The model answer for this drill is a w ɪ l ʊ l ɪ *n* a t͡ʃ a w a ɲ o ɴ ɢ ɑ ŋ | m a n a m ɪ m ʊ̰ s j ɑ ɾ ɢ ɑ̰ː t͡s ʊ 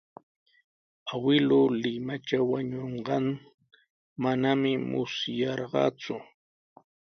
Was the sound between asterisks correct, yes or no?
no